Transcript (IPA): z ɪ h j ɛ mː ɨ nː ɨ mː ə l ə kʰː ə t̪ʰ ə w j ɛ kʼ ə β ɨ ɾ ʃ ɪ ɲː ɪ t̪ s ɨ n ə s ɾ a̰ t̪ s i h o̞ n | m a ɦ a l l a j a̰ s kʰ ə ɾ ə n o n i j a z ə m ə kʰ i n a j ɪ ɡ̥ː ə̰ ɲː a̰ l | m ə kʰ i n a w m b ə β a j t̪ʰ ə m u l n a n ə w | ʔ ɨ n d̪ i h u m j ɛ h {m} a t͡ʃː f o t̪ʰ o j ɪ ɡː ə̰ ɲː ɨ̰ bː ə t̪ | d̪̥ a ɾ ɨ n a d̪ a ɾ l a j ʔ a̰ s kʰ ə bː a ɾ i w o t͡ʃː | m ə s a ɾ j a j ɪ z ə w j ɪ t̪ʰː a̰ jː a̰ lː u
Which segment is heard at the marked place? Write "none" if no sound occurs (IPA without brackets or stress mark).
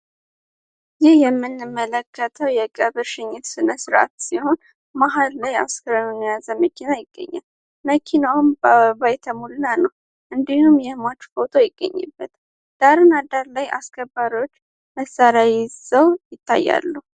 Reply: m